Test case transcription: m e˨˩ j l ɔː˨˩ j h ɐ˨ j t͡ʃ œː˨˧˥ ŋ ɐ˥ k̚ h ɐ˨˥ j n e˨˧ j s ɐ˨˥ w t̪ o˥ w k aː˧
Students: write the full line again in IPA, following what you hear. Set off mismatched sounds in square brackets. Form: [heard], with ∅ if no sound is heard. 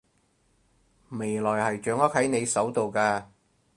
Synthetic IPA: m e˨˩ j l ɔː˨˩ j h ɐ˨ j t͡ʃ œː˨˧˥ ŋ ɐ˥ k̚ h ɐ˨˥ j n e˨˧ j s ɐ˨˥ w t̪ [o˨] w k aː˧